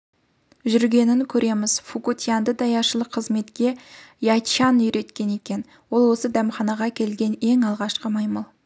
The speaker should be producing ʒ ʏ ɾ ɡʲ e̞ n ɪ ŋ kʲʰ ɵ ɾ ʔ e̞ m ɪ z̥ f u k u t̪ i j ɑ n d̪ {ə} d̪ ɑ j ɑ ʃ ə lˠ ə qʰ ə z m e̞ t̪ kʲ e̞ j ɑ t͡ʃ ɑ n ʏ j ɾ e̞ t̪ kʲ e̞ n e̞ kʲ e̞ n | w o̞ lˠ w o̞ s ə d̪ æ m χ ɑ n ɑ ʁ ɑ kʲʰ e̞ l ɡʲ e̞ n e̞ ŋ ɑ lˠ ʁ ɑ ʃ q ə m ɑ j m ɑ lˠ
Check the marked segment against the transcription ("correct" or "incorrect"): correct